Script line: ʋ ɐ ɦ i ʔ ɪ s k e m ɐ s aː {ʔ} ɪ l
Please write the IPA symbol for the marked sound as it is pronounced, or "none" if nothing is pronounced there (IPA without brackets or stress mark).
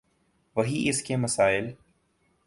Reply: none